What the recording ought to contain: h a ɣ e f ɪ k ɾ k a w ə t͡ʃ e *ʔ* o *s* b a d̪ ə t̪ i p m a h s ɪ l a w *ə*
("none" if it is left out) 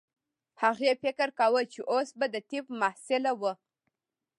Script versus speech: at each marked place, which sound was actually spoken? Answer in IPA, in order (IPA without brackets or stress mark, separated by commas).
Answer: ʔ, s, ə